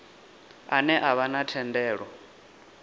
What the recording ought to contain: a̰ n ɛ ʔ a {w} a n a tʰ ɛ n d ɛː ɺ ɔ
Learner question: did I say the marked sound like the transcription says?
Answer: no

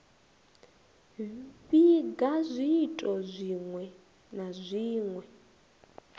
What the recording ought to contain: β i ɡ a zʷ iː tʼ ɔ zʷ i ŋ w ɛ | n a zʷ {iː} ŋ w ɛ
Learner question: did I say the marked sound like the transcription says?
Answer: yes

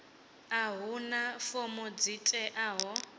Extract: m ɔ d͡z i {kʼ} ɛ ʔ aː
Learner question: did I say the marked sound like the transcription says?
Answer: no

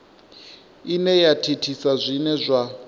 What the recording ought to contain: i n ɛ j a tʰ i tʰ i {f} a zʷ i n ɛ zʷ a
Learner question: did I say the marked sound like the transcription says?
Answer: no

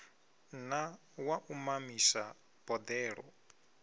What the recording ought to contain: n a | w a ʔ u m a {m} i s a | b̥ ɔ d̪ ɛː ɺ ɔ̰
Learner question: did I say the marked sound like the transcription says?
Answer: yes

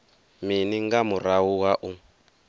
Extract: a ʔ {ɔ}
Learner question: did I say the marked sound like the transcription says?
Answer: no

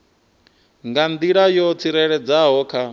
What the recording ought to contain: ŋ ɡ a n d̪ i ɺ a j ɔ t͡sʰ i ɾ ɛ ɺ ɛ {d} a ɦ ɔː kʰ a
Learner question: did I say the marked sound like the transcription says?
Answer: no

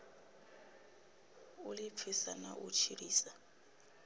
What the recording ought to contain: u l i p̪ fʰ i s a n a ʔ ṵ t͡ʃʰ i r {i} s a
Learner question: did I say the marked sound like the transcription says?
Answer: no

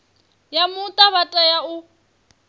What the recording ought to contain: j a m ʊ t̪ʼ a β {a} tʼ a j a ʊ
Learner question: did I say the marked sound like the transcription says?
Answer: yes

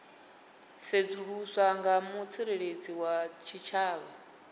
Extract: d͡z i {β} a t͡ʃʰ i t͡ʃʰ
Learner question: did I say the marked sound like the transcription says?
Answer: no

